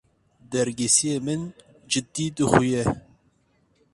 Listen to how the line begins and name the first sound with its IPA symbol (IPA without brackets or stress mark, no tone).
d̪